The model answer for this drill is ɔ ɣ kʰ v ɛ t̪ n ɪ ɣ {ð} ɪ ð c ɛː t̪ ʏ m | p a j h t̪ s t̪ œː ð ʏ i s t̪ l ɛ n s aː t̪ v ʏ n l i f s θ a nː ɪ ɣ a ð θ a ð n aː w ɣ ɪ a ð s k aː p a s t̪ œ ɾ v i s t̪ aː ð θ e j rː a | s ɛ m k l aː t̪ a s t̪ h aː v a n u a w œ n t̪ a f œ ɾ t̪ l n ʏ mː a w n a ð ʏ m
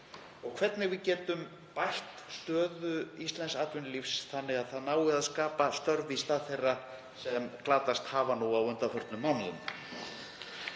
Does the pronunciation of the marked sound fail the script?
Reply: yes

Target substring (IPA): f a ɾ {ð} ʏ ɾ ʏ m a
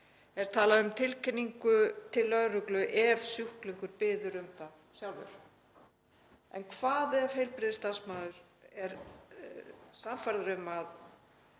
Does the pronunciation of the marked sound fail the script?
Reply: no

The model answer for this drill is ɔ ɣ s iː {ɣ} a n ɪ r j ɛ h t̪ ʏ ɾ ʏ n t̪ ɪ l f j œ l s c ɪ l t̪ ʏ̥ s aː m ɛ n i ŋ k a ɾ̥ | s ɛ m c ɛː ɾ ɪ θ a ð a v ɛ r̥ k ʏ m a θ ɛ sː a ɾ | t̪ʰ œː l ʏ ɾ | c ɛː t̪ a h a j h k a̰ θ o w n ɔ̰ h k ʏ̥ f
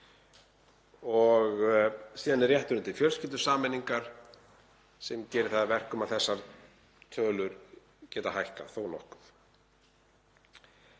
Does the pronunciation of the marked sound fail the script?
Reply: yes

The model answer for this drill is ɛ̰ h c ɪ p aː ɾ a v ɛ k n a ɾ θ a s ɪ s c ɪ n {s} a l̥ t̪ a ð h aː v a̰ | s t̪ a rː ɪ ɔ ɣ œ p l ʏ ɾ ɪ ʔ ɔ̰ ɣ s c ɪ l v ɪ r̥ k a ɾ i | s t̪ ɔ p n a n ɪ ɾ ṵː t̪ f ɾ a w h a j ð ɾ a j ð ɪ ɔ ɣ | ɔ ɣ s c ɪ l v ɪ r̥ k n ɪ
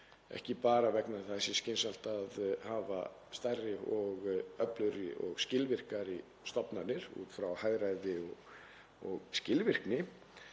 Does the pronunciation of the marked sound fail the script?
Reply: no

